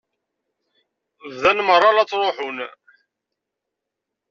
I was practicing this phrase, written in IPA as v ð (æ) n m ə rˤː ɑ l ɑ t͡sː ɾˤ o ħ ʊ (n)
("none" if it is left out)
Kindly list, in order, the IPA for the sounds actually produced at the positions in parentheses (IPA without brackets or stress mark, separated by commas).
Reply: æ, n